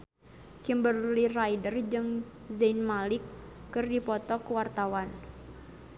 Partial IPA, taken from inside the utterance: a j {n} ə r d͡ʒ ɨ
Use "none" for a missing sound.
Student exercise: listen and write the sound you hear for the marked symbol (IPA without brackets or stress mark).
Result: d